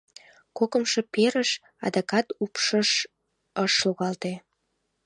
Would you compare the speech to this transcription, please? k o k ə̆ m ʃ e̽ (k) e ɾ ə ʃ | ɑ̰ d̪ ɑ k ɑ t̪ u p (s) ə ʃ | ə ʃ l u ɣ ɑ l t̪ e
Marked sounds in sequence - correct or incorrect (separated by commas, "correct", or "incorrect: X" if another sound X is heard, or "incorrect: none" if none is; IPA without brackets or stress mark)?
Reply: incorrect: p, incorrect: ʃ